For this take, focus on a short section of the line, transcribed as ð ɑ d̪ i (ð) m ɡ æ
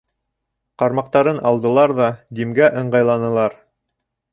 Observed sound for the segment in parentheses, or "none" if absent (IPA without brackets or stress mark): none